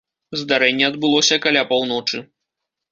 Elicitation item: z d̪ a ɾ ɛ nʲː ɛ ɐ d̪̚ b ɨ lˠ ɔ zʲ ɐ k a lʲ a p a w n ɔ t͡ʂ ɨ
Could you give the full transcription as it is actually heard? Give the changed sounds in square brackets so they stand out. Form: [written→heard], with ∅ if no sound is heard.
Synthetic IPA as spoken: z d̪ a ɾ ɛ nʲː ɛ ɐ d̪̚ b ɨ lˠ ɔ [zʲ→sʲ] ɐ k a lʲ a p a w n ɔ t͡ʂ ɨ